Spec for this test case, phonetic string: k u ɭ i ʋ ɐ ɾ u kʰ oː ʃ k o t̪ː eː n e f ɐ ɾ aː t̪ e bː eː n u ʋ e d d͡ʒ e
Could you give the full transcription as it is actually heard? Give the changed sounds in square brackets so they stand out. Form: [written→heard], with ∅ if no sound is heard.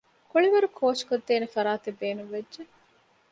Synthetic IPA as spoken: k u ɭ i ʋ ɐ ɾ u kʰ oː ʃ k o [t̪ː→d̪ː] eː n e f ɐ ɾ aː t̪ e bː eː n u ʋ e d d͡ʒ e